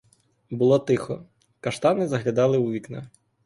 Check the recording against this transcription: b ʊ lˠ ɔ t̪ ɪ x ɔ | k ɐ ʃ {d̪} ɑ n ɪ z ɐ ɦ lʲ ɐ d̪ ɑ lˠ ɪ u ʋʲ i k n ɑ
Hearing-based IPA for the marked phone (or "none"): t̪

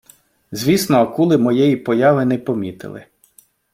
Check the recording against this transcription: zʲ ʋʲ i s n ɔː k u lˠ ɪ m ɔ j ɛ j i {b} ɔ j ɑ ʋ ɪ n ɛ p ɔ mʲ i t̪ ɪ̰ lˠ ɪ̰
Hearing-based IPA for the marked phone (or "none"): p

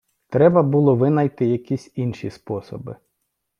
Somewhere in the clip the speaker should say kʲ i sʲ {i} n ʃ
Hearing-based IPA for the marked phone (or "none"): i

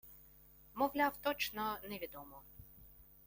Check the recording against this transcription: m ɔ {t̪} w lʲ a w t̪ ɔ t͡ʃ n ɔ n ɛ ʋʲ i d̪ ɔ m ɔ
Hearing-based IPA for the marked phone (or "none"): none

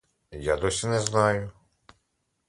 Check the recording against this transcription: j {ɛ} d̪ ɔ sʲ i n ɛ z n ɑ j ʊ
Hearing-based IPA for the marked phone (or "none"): a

